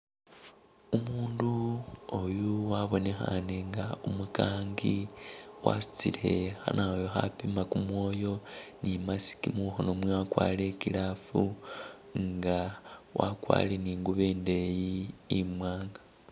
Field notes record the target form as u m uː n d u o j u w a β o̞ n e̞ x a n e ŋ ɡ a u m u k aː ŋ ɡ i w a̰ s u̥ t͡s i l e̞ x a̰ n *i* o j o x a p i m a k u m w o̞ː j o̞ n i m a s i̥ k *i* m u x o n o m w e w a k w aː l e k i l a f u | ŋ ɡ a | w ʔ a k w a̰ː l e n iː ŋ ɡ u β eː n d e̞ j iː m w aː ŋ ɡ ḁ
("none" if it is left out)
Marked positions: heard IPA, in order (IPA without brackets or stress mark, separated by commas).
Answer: a, i